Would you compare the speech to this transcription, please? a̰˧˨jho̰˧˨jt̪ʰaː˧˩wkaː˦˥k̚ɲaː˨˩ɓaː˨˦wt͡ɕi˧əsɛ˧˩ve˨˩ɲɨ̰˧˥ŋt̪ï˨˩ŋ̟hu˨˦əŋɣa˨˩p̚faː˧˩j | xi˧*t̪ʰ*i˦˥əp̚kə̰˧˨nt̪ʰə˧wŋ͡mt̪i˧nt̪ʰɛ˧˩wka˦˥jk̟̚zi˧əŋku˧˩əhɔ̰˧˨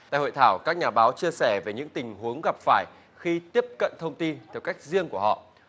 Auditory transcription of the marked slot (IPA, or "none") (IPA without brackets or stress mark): t̪